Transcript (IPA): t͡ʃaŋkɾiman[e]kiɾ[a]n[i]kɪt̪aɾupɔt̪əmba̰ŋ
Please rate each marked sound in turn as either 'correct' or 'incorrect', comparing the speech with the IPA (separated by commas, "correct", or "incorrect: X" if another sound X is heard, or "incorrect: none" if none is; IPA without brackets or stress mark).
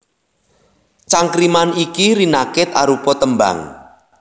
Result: incorrect: i, incorrect: i, incorrect: a